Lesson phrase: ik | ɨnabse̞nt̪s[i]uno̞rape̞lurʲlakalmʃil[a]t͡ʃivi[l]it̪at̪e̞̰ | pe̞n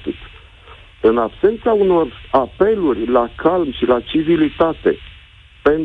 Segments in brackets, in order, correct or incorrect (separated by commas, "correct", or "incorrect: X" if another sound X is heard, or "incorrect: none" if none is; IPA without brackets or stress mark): incorrect: a, correct, correct